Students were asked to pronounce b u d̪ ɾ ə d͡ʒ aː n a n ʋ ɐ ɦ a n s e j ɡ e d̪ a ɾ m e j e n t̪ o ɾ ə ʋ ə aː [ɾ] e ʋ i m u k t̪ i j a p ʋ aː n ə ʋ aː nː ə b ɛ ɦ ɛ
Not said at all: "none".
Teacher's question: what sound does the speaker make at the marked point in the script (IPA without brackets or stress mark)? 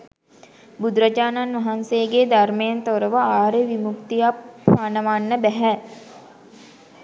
ɾ